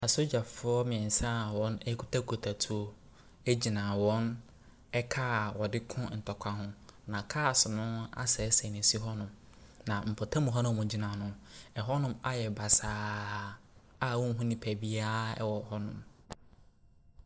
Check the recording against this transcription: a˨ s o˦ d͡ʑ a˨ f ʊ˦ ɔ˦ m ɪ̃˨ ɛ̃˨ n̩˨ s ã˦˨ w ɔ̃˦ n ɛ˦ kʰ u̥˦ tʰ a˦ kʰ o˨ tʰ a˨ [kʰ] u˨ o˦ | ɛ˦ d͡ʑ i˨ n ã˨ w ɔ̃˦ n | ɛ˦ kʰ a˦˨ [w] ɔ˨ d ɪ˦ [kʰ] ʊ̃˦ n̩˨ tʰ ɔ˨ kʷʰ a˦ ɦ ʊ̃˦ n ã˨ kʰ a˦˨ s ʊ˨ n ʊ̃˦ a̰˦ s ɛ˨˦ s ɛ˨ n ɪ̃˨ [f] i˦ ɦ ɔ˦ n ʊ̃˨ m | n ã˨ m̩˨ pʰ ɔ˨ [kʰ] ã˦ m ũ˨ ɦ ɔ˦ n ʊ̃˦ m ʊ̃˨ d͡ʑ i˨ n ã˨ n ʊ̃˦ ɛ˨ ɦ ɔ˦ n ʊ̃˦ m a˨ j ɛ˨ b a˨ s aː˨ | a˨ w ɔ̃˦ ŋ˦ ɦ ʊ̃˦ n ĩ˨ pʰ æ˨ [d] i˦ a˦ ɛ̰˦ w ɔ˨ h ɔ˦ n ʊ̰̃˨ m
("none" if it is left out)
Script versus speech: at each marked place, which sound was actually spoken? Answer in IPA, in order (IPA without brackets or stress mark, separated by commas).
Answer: tʰ, w, kʰ, s, tʰ, b